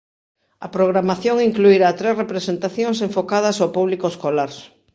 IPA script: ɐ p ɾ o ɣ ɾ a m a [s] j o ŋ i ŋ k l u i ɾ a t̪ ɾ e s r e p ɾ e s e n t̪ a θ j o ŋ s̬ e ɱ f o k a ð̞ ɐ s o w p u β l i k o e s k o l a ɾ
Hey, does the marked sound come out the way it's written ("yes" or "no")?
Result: no